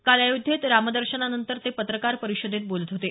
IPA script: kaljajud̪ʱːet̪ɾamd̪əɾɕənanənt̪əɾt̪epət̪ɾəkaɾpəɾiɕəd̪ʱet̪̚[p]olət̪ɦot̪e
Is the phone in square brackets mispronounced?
yes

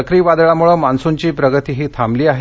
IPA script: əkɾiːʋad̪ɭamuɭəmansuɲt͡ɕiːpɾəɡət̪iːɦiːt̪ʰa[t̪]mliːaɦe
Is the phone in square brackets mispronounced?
yes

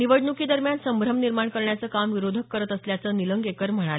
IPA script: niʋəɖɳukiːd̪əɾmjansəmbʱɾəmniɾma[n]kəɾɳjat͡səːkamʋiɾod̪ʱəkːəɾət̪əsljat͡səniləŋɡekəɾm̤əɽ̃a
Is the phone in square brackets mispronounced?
yes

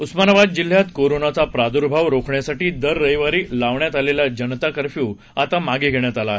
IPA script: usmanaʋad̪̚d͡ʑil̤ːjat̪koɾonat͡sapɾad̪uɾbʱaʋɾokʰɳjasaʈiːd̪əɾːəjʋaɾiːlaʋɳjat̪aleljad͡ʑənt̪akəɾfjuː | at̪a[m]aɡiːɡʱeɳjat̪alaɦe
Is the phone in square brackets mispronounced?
no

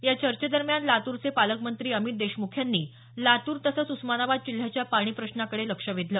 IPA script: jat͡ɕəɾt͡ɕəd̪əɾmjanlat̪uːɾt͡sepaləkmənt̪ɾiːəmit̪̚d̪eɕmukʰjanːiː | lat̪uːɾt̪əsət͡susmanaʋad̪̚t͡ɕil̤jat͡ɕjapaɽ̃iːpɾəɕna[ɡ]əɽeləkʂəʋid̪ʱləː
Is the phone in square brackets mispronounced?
yes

